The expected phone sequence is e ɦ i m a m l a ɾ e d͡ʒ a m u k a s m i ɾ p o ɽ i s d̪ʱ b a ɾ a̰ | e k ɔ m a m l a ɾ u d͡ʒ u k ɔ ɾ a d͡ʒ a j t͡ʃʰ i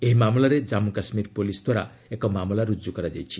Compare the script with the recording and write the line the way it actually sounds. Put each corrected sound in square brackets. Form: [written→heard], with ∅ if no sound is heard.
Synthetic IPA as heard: e ɦ i m a m l a ɾ e d͡ʒ a m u k a s m i ɾ p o [ɽ→l] i s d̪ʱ [b→w] a ɾ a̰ | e k ɔ m a m l a ɾ u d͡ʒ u k ɔ ɾ a d͡ʒ a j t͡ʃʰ i